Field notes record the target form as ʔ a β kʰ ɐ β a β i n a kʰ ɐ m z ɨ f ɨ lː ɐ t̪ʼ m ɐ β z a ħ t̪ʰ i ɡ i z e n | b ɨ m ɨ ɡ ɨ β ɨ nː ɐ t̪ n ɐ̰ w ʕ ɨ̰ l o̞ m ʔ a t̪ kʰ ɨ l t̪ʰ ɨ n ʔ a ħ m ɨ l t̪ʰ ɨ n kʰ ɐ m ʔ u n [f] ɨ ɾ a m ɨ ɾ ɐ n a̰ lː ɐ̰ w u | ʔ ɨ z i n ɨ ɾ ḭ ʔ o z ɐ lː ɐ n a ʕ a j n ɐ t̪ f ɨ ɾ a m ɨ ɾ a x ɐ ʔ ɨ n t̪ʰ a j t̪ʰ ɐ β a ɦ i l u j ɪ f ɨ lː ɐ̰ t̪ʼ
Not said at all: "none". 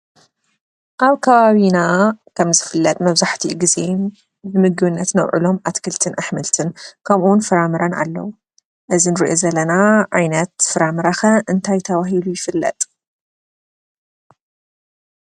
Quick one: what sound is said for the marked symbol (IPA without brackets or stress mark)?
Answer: f